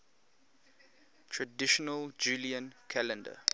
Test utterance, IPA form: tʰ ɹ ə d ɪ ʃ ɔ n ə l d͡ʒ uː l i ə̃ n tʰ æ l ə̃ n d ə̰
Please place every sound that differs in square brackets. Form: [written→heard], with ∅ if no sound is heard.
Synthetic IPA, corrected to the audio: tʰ ɹ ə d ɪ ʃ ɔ n ə l d͡ʒ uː l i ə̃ n [tʰ→kʰ] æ l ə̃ n d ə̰